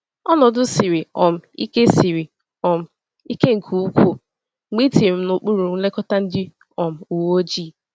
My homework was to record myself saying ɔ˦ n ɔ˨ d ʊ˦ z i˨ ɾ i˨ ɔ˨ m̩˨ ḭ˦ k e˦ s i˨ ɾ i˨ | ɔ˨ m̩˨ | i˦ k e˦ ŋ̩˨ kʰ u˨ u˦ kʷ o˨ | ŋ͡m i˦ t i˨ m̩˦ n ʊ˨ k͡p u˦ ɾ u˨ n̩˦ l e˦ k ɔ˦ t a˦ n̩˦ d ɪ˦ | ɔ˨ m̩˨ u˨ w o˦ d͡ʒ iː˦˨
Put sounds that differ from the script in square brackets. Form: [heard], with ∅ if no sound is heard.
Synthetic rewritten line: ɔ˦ n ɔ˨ d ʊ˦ [s] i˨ ɾ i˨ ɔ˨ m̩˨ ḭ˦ k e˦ s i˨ ɾ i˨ | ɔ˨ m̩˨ | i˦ k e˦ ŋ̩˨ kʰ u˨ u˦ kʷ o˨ | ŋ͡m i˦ t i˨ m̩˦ n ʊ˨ k͡p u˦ ɾ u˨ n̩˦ l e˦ k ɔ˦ t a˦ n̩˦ d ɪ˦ | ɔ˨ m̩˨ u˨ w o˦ d͡ʒ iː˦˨